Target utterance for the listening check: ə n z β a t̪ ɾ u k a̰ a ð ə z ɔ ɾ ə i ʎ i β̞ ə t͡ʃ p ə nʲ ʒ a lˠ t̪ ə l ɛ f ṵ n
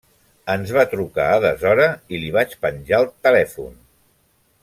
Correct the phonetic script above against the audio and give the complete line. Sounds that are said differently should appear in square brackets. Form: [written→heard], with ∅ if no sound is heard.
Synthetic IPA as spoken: ə n z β a t̪ ɾ u k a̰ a ð ə z ɔ ɾ ə i [ʎ→l] i β̞ [ə→a] t͡ʃ p ə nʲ ʒ a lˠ t̪ ə l ɛ f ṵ n